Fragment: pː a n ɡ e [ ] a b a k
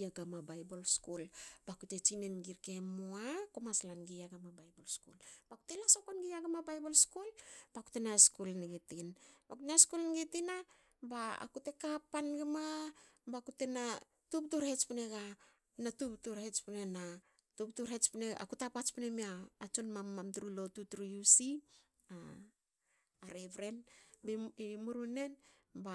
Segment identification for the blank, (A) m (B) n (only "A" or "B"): A